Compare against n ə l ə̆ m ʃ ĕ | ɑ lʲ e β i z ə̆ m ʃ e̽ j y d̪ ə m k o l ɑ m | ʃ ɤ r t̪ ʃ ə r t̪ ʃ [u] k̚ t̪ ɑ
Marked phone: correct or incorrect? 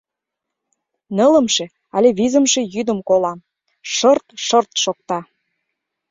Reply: incorrect